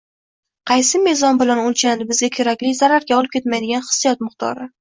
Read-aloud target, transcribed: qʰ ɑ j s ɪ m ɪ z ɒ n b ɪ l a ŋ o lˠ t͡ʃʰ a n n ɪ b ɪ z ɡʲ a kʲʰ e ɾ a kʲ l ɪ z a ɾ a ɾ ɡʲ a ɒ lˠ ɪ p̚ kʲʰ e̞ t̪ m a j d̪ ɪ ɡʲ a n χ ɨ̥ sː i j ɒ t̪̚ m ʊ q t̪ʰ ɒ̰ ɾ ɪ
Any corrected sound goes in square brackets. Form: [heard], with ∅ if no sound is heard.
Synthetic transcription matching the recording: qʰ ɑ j s ɪ m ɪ z ɒ n b ɪ l a [n] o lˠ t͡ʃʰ a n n ɪ b ɪ z ɡʲ a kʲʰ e ɾ a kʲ l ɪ z a ɾ a ɾ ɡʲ a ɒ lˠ ɪ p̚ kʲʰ e̞ t̪ m a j d̪ ɪ ɡʲ a n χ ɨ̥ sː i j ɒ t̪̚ m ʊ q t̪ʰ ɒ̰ ɾ ɪ